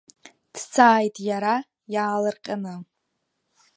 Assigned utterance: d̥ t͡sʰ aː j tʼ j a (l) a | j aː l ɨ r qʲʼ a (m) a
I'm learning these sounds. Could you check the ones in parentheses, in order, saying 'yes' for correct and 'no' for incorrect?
no, no

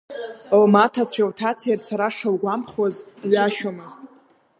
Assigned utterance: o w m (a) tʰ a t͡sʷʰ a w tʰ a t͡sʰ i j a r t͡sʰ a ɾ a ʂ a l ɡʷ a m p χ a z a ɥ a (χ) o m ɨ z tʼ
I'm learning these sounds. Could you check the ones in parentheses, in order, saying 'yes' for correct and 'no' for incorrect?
yes, no

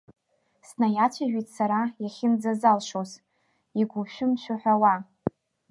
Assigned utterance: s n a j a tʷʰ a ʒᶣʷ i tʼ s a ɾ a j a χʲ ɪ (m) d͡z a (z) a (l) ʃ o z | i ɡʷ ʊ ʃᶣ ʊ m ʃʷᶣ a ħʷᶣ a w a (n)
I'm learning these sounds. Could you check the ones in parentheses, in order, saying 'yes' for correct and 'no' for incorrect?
no, yes, yes, no

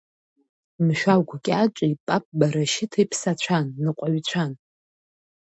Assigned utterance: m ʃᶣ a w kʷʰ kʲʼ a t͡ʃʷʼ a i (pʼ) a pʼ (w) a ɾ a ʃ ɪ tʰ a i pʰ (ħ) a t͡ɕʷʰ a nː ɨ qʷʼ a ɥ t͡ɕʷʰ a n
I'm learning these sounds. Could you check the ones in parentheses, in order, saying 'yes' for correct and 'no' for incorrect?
yes, no, no

